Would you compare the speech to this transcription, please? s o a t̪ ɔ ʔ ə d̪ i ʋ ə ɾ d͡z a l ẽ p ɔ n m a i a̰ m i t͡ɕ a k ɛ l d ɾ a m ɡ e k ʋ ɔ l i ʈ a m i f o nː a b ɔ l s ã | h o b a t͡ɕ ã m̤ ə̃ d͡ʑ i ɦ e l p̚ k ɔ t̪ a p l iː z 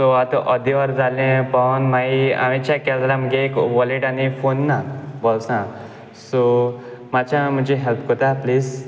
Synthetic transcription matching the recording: s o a t̪ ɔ ʔ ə d̪ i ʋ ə ɾ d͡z a l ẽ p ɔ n m a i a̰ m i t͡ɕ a k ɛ l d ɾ a m ɡ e k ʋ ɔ l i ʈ a n i f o nː a b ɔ l s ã | s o m a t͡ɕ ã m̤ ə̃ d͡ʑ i ɦ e l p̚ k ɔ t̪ a p l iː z